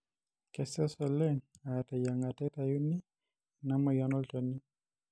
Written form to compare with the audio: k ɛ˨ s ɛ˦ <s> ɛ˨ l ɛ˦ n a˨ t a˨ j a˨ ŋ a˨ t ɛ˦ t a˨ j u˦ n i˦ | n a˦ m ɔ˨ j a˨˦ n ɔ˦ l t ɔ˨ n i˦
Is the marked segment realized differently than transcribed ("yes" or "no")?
no